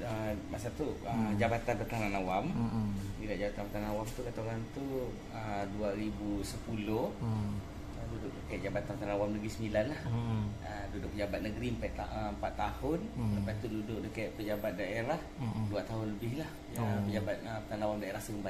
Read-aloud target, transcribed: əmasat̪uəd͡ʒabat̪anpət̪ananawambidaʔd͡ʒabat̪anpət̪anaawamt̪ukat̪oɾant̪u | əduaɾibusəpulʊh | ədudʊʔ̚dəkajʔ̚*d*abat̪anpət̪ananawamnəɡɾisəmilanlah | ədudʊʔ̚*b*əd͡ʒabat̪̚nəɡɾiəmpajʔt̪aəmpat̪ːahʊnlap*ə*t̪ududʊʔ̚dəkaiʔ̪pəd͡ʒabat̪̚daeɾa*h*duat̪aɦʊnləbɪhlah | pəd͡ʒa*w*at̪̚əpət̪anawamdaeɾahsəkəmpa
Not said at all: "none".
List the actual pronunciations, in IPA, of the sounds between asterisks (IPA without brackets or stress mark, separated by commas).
d͡ʒ, p, a, h, b